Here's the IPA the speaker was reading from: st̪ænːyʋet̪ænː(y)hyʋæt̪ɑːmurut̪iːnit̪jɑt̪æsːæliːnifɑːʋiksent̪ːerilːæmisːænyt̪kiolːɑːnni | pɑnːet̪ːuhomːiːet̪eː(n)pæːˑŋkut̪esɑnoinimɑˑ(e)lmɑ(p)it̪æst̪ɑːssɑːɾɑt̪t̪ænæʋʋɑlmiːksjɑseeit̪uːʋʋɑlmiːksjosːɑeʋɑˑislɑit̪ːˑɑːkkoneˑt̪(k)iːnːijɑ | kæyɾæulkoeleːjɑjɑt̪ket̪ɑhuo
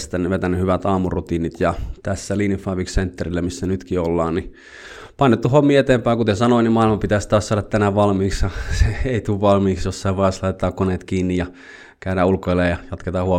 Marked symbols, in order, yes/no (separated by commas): yes, no, no, yes, yes